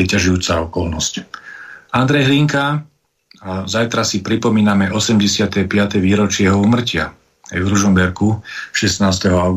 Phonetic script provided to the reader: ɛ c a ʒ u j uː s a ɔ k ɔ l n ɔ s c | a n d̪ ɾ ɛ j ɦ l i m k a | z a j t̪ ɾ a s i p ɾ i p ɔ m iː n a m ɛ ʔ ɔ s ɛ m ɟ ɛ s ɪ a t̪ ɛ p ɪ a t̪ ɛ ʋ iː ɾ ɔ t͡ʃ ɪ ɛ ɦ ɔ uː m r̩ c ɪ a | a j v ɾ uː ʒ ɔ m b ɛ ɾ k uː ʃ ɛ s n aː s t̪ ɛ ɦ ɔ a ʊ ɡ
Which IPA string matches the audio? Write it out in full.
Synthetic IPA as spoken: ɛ c a ʒ u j uː t͡s a ɔ k ɔ l n ɔ s c | a n d̪ ɾ ɛ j ɦ l i ŋ k a | z a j t̪ ɾ a s i p ɾ i p ɔ m iː n a m ɛ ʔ ɔ s ɛ m ɟ ɛ s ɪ a t̪ ɛ p ɪ a t̪ ɛ ʋ iː ɾ ɔ t͡ʃ ɪ ɛ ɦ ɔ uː m r̩ c ɪ a | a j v ɾ u ʒ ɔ m b ɛ ɾ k u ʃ ɛ s n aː s t̪ ɛ ɦ ɔ a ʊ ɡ